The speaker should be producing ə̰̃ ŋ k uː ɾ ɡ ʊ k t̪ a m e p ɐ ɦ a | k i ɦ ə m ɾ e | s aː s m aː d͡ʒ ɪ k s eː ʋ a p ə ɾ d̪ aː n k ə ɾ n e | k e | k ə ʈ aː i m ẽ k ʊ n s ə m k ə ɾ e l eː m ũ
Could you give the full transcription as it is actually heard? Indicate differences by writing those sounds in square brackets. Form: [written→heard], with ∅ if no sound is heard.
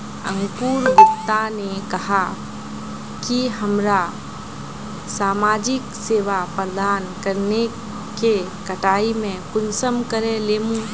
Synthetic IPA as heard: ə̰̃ ŋ k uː ɾ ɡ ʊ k t̪ a [m→n] e [p→k] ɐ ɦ a | k i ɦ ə m ɾ [e→a] | s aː [s→∅] m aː d͡ʒ ɪ k s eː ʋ a p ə ɾ d̪ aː n k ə ɾ n e | k e | k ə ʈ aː i m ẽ k ʊ n s ə m k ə ɾ e l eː m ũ

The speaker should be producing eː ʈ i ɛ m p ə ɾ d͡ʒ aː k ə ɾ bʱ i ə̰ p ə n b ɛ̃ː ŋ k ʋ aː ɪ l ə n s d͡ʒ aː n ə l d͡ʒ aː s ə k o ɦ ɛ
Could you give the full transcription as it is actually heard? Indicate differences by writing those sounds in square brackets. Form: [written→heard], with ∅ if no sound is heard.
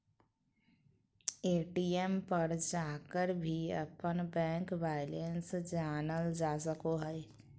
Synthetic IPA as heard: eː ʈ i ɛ m p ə ɾ d͡ʒ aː k ə ɾ bʱ i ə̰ p ə n b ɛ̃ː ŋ k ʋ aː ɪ l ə n s d͡ʒ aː n ə l d͡ʒ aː s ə k o ɦ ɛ

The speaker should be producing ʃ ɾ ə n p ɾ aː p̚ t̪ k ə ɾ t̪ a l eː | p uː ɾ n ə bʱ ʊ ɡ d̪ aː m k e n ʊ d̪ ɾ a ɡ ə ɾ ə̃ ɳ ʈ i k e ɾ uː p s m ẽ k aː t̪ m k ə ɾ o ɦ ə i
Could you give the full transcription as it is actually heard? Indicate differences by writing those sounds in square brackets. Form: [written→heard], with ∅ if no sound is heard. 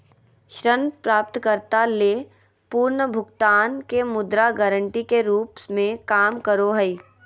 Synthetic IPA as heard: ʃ ɾ ə n p ɾ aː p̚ t̪ k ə ɾ t̪ a l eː | p uː ɾ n ə bʱ ʊ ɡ [d̪→t̪] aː [m→n] k e [n→m] ʊ d̪ ɾ a ɡ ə ɾ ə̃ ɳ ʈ i k e ɾ uː p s m ẽ k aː [t̪→∅] m k ə ɾ o ɦ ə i

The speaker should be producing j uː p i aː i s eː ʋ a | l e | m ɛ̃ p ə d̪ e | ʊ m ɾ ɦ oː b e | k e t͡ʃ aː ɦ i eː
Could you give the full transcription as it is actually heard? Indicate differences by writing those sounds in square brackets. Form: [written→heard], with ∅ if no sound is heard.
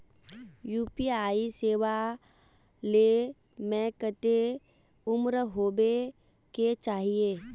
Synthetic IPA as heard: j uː p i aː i s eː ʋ a | l e | m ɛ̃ [p→k] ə [d̪→t̪] e | ʊ m ɾ ɦ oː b e | k e t͡ʃ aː ɦ i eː

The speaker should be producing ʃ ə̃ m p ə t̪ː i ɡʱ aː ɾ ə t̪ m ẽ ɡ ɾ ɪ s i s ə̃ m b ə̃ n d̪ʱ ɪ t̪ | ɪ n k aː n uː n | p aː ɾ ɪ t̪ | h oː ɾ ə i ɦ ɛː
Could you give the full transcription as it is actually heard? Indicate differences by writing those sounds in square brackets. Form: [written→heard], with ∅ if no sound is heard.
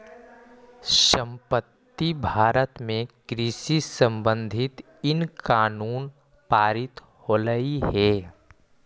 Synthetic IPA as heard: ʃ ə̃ m p ə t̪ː i [ɡʱ→bʱ] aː ɾ ə t̪ m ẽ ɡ ɾ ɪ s i s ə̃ m b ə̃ n d̪ʱ ɪ t̪ | ɪ n k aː n uː n | p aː ɾ ɪ t̪ | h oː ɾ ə i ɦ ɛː

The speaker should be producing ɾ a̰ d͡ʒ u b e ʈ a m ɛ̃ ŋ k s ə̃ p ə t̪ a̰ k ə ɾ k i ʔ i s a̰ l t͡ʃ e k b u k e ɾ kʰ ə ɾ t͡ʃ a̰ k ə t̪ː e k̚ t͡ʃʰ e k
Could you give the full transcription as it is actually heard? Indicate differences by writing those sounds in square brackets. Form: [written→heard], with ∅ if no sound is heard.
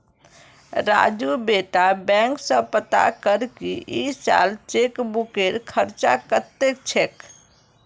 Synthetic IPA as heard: ɾ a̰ d͡ʒ u b e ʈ a [m→b] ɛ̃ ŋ k s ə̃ p ə t̪ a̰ k ə ɾ k i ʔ i s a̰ l t͡ʃ e k b u k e ɾ kʰ ə ɾ t͡ʃ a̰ k ə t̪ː e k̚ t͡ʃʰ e k

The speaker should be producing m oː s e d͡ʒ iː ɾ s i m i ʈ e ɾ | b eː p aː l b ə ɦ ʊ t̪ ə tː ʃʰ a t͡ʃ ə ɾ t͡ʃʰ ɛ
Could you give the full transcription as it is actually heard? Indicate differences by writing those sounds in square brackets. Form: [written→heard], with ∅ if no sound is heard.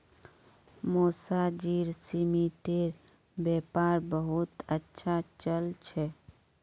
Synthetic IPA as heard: m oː s [e→a] d͡ʒ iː ɾ s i m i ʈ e ɾ | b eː p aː [l→ɾ] b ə ɦ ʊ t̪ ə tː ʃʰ a t͡ʃ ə [ɾ→l] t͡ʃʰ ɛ

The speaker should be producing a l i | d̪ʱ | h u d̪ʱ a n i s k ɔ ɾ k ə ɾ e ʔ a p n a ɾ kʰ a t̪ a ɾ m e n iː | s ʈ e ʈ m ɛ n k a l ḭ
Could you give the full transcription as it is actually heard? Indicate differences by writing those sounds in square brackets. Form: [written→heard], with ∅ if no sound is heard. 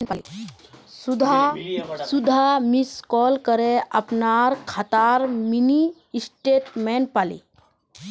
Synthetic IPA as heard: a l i | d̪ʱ | [h→s] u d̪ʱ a [n→m] i s k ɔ [ɾ→l] k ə ɾ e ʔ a p n a ɾ kʰ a t̪ a ɾ m [e→i] n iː | s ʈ e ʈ m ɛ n [k→p] a l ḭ

